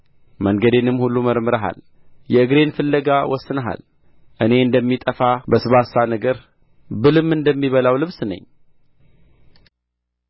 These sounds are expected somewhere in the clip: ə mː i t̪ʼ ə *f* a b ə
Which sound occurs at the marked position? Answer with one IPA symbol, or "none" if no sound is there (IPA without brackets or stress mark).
f